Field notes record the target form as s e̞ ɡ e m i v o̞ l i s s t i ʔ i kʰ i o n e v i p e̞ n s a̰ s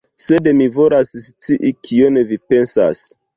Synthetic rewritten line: s e̞ d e m i v o̞ l a s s t͡s i ʔ i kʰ i o n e v i p e̞ n s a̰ s

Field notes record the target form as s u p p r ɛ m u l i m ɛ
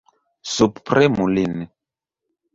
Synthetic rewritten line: s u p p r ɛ m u l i n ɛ

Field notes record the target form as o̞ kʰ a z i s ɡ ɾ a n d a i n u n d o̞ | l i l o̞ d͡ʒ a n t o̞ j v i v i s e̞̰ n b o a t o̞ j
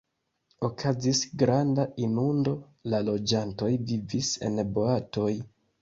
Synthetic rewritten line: o̞ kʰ a z i s ɡ ɾ a n d a i n u n d o̞ | l a l o̞ d͡ʒ a n t o̞ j v i v i s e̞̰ n b o a t o̞ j

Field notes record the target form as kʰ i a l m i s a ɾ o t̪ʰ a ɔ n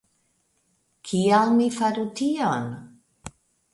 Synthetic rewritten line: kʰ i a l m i f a ɾ u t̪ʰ i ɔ n

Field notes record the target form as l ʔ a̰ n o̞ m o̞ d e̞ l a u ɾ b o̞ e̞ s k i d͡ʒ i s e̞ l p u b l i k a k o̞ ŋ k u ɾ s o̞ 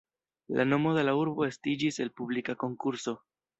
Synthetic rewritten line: l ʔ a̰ n o̞ m o̞ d e̞ l a u ɾ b o̞ e̞ s t i d͡ʒ i s e̞ l p u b l i k a k o̞ ŋ k u ɾ s o̞

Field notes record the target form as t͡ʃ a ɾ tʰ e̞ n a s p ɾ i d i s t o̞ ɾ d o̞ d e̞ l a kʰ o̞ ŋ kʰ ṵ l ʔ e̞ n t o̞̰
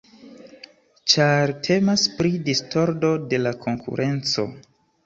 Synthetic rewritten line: t͡ʃ a ɾ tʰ e̞ m a s p ɾ i d i s t o̞ ɾ d o̞ d e̞ l a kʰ o̞ ŋ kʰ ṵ ɾ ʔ e̞ n t͡s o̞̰

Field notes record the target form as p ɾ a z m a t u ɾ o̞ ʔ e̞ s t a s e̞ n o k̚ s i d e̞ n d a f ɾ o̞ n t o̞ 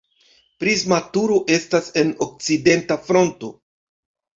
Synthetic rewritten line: p ɾ i z m a t u ɾ o̞ ʔ e̞ s t a s e̞ n o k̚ t͡s i d e̞ n t a f ɾ o̞ n t o̞

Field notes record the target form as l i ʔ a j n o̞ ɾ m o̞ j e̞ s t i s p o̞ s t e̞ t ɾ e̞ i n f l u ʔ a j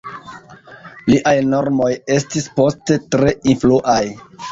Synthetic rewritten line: l i ʔ a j n o̞ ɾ m o̞ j e̞ s t i s p o̞ s t e̞ t ɾ e̞ i n f l u ʔ a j

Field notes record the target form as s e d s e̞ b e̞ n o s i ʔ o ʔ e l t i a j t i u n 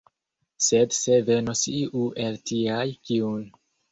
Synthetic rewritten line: s e d s e̞ v e̞ n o s i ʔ u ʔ e l t i a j k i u n

